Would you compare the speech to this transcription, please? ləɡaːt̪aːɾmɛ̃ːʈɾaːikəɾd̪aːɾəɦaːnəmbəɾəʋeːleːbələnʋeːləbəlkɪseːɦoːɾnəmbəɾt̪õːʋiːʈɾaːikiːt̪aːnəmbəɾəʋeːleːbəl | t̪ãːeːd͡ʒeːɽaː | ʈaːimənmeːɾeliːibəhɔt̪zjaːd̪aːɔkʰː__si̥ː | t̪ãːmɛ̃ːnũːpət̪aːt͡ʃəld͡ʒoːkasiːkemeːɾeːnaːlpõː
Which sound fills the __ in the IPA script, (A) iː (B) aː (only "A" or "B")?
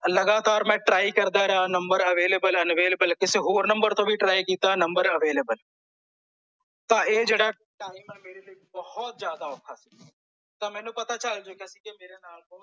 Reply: B